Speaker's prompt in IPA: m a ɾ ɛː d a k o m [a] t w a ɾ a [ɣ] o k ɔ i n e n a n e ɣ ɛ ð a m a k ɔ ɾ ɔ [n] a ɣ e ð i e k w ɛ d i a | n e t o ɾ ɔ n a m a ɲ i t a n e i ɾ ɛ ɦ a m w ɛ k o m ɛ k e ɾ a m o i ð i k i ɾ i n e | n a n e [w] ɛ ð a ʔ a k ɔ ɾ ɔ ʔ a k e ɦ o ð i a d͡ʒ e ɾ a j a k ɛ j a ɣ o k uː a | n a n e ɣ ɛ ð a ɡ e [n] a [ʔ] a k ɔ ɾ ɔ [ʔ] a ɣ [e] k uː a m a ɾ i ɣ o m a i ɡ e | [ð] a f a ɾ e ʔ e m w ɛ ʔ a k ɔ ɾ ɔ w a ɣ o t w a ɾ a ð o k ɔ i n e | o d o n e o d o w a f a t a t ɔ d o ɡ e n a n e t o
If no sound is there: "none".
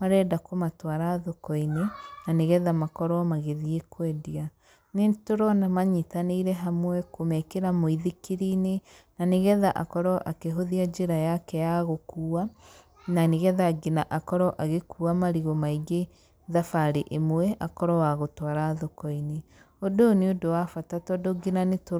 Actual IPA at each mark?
a, ð, m, ɣ, n, ʔ, ʔ, e, ð

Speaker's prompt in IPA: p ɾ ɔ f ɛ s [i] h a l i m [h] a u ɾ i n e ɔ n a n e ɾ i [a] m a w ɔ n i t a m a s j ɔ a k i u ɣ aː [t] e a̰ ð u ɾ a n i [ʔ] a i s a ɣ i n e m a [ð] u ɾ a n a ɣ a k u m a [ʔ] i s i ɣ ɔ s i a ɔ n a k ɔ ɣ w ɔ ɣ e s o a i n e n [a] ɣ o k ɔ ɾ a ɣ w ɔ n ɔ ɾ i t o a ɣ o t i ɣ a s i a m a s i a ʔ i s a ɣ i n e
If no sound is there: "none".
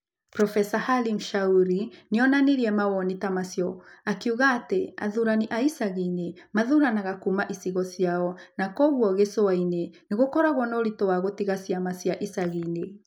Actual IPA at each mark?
a, ʃ, ɛ, t, ʔ, ð, ʔ, e

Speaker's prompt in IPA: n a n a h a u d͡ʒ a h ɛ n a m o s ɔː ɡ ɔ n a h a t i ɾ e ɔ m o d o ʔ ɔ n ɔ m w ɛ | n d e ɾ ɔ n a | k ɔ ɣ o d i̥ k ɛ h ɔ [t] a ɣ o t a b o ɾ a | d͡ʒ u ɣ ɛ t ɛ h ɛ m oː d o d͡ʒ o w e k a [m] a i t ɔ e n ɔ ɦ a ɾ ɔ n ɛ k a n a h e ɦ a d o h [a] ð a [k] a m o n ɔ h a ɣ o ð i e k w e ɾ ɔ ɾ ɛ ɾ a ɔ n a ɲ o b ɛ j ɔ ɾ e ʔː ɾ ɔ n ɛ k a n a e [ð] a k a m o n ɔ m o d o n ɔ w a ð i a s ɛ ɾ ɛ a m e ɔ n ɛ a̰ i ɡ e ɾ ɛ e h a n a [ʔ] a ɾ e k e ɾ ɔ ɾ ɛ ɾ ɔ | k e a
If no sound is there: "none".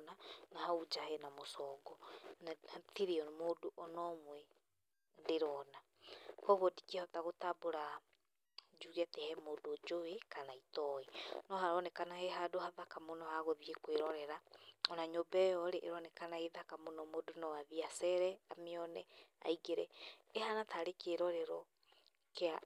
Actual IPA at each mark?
t, n, a, k, ð, t

